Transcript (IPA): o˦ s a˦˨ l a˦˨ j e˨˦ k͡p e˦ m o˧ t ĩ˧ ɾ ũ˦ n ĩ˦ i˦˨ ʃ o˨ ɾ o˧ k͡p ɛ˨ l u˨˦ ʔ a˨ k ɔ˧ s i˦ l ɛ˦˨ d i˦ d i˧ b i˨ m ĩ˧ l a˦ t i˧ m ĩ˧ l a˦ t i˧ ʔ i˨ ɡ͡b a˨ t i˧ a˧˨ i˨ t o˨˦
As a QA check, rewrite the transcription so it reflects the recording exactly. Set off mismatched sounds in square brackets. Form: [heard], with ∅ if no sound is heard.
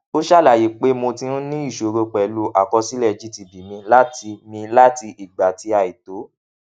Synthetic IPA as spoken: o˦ [ʃ] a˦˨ l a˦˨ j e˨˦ k͡p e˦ m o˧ t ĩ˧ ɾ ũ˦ n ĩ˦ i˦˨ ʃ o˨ ɾ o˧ k͡p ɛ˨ l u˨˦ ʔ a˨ k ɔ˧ s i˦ l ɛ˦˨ [d͡ʒ] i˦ [t] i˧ b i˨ m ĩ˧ l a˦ t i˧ m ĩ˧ l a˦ t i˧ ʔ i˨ ɡ͡b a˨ t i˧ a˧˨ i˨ t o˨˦